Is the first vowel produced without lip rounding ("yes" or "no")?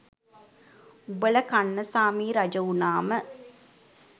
no